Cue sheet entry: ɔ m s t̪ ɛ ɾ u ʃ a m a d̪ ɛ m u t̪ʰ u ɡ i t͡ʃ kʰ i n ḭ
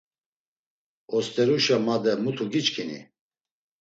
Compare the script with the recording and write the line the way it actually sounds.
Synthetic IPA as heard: ɔ s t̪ ɛ ɾ u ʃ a m a d̪ ɛ m u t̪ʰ u ɡ i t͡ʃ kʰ i n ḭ